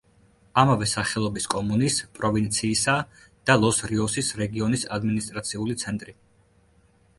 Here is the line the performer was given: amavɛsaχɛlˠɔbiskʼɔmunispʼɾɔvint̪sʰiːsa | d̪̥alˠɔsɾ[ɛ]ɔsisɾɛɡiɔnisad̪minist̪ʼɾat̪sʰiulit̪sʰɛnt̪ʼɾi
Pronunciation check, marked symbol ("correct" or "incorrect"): incorrect